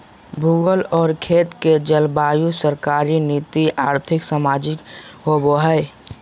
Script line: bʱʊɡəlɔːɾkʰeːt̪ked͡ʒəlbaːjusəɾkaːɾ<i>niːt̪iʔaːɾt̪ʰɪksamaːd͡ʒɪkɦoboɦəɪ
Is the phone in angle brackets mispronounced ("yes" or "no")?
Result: no